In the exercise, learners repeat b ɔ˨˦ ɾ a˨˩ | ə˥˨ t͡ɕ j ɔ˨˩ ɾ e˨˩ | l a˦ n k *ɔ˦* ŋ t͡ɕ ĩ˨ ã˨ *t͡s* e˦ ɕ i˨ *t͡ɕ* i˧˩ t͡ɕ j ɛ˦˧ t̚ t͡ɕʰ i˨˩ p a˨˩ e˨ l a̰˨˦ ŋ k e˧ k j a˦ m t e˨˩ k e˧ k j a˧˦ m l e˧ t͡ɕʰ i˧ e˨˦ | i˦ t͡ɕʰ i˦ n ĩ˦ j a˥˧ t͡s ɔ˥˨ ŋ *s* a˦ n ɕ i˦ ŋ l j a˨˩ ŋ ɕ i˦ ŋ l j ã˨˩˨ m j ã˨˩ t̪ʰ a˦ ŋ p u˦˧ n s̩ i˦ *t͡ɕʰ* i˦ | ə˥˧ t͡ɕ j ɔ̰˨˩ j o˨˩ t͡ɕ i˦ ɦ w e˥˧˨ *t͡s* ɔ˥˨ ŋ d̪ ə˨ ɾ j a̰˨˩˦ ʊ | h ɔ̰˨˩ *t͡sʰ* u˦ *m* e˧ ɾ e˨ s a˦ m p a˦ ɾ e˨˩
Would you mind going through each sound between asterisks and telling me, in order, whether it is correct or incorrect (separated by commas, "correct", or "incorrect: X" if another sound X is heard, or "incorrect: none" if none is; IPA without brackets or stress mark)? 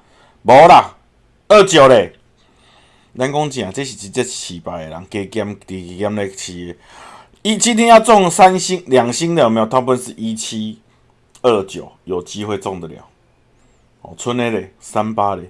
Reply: correct, correct, correct, correct, correct, correct, correct, incorrect: n